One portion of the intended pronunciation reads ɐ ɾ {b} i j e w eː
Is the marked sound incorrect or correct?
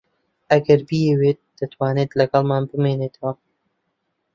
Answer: correct